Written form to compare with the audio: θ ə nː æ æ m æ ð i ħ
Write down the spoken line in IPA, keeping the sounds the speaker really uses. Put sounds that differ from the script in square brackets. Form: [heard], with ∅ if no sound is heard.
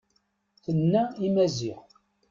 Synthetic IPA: θ ə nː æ [i] m æ [z] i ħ